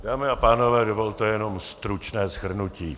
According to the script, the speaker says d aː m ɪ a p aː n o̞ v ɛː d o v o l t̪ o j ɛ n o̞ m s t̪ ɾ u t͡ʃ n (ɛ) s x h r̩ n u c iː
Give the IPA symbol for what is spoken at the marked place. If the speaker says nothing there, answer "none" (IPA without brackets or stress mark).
ɛː